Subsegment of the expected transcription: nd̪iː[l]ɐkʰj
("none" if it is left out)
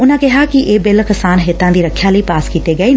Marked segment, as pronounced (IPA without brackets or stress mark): ɾ